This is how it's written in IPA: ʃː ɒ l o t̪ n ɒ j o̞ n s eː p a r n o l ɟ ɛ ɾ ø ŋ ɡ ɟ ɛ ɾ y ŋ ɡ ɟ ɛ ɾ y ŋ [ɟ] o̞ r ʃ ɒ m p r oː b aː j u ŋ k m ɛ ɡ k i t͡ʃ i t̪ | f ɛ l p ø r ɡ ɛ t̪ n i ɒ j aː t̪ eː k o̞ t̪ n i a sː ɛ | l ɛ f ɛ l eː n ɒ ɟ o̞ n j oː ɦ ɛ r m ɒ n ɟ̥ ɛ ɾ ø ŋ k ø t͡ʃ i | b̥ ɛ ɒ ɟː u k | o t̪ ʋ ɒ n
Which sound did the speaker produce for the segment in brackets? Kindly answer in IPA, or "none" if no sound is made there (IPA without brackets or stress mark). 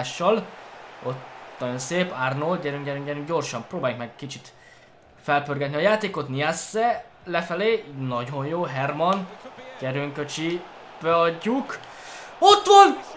ɟ